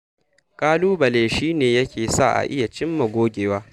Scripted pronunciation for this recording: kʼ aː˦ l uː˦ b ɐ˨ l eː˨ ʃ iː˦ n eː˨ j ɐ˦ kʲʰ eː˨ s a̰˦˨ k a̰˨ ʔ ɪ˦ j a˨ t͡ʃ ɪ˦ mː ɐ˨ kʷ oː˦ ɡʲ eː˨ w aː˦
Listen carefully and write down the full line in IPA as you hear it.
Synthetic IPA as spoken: kʼ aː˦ l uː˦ b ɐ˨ l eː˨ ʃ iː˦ n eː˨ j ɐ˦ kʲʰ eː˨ s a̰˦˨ ʔ a̰˨ ʔ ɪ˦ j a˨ t͡ʃ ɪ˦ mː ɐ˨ ɡʷ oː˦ ɡʲ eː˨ w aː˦